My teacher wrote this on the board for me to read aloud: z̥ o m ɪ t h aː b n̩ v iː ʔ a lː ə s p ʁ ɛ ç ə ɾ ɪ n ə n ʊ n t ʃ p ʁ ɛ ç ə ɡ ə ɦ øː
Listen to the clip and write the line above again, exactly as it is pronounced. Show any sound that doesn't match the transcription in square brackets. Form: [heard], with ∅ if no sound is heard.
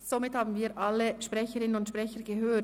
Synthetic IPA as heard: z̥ o m ɪ t h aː b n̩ v iː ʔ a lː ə [ʃ] p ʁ ɛ ç ə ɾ ɪ n ə n ʊ n t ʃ p ʁ ɛ ç ə ɡ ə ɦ øː